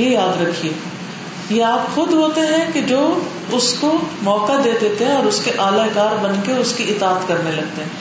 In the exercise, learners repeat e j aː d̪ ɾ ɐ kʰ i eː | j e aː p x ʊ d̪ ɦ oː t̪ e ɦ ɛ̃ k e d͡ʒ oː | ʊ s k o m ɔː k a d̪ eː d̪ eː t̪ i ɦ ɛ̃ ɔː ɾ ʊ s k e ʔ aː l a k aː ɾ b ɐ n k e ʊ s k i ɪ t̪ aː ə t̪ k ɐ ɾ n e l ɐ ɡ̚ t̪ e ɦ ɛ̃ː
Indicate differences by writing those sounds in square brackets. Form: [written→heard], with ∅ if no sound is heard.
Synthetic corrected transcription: e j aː d̪ ɾ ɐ kʰ i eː | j e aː p x ʊ d̪ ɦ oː t̪ e ɦ ɛ̃ k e d͡ʒ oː | ʊ s k o m ɔː k a d̪ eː d̪ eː t̪ [i→e] ɦ ɛ̃ ɔː ɾ ʊ s k e ʔ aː l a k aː ɾ b ɐ n k e ʊ s k i ɪ t̪ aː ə t̪ k ɐ ɾ n e l ɐ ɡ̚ t̪ e ɦ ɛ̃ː